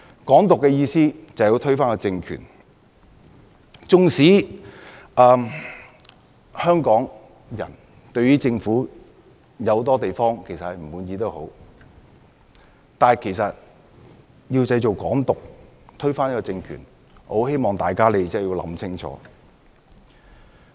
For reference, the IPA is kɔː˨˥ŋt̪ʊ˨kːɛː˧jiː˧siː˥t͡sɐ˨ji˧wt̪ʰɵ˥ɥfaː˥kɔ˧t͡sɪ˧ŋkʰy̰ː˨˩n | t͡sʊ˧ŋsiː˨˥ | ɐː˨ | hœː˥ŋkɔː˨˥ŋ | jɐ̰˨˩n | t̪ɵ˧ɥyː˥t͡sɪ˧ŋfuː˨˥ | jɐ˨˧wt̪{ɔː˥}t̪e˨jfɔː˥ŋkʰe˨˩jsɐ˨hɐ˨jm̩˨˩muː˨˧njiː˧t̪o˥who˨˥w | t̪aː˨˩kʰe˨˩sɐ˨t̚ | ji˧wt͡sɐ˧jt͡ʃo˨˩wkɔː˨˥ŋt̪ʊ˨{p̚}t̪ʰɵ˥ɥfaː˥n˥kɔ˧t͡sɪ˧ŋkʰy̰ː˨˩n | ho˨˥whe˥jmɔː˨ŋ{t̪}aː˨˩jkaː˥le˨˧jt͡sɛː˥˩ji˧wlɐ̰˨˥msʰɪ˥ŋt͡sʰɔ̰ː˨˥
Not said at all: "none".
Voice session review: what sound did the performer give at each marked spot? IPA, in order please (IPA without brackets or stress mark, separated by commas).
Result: ɔː˥, k̚, t̪